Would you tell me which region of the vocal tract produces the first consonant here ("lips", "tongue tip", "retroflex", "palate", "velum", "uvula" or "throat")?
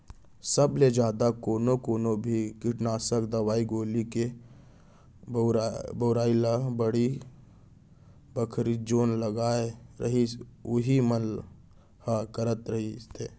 tongue tip